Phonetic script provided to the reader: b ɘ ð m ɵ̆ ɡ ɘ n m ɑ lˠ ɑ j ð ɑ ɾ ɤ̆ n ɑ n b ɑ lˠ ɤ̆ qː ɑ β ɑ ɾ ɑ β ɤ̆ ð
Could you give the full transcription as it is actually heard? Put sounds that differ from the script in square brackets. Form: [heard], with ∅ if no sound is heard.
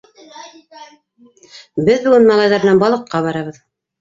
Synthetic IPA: b ɘ ð [b] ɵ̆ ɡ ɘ n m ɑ lˠ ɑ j ð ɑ ɾ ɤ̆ n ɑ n b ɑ lˠ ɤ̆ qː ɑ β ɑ ɾ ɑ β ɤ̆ ð